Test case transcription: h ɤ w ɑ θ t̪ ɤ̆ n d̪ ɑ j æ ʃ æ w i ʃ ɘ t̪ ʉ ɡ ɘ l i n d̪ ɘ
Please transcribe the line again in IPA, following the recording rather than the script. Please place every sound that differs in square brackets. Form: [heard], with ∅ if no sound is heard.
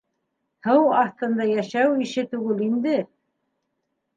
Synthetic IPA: h ɤ w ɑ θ t̪ ɤ̆ n d̪ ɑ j æ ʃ æ w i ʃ ɘ t̪ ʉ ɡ ɘ l i n d̪ ɘ